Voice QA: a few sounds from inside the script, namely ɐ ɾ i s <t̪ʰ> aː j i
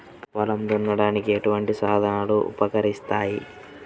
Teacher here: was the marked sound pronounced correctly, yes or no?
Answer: no